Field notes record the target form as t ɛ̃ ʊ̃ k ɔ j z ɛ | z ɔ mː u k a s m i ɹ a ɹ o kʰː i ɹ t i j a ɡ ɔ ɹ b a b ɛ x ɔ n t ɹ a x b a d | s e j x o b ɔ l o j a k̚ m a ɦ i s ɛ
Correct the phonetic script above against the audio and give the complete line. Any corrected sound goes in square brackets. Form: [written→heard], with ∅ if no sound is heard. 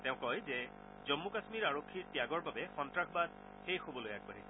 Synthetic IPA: t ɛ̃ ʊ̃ k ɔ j z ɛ | z ɔ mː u k a s m i ɹ a ɹ o kʰː i ɹ t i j a ɡ ɔ ɹ b a b ɛ x ɔ n t ɹ a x b a d | [s→x] e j x o b ɔ l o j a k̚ [m→b] a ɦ i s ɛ